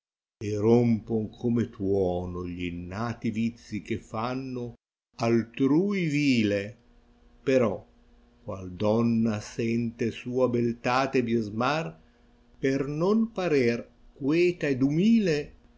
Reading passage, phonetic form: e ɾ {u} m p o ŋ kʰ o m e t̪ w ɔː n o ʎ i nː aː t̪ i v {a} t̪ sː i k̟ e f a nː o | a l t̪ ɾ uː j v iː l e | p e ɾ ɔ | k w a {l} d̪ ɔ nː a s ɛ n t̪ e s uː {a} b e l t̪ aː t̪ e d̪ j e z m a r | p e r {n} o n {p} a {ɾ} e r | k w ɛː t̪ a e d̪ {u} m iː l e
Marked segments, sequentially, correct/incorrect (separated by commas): incorrect, incorrect, correct, correct, correct, correct, correct, correct